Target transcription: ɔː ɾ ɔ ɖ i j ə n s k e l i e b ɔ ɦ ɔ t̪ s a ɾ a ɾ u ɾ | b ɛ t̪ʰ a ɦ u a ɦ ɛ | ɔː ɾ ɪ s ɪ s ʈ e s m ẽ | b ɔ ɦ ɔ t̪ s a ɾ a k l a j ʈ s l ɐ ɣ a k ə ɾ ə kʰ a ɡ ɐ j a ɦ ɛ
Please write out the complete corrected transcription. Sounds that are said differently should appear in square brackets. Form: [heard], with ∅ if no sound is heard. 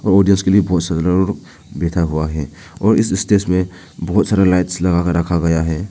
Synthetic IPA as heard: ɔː ɾ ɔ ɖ i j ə n s k e l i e b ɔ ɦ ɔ t̪ s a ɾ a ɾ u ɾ | b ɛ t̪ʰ a ɦ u a ɦ ɛ | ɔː ɾ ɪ s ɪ s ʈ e s m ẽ | b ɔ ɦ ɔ t̪ s a ɾ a [∅] l a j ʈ s l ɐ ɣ a k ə ɾ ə kʰ a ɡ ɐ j a ɦ ɛ